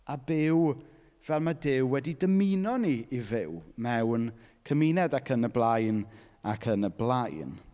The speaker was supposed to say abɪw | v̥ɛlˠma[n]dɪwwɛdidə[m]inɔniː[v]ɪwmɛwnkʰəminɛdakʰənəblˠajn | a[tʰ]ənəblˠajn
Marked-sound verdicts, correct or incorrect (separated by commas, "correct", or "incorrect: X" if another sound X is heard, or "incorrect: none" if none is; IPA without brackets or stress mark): incorrect: none, correct, correct, incorrect: kʰ